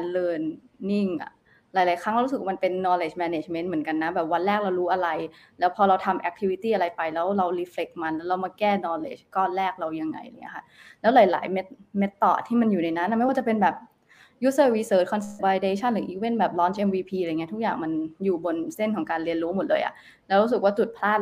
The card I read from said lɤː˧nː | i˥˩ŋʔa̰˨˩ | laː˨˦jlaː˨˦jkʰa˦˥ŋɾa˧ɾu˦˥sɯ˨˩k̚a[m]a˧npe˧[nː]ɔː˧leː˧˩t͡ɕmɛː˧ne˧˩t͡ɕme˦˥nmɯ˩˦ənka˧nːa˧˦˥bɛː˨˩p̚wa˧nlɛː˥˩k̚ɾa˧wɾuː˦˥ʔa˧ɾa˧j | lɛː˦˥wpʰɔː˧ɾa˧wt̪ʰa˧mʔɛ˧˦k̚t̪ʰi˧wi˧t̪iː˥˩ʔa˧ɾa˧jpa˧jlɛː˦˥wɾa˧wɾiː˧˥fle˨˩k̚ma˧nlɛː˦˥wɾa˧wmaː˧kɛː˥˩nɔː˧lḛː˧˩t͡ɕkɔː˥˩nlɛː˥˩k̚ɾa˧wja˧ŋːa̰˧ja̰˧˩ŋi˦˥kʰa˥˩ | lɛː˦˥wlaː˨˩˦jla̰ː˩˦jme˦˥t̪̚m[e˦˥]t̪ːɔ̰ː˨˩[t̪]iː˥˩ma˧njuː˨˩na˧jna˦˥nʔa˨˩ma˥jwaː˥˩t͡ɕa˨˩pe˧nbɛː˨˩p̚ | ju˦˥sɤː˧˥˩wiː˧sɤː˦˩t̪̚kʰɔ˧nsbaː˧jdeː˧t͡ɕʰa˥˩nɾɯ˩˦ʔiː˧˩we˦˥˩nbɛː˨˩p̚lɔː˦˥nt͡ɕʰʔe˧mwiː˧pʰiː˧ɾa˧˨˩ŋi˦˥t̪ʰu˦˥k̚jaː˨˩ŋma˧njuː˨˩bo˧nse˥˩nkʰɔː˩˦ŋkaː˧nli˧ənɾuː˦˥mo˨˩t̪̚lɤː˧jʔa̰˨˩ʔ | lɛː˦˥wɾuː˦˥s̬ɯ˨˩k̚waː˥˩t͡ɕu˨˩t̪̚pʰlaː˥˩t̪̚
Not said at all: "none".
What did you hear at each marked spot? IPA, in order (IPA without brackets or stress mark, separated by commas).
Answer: m, nː, e˦˥, t̪ʰ